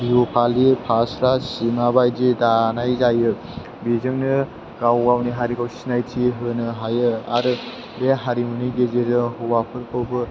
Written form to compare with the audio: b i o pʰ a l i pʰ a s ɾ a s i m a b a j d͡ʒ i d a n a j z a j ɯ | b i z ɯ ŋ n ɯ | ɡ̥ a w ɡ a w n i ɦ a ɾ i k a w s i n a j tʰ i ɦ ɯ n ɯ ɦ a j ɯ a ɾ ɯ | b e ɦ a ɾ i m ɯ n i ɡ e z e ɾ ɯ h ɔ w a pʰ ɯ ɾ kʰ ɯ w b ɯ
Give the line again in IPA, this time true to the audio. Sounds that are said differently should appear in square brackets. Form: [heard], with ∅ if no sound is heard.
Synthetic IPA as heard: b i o pʰ a l i pʰ a s ɾ a s i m a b a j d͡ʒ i d a n a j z a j ɯ | b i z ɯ ŋ n ɯ | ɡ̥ a w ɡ a w n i ɦ a ɾ i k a w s i n a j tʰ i ɦ ɯ n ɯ ɦ a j ɯ a ɾ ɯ | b e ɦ a ɾ i m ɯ n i ɡ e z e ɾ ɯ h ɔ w a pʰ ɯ ɾ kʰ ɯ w b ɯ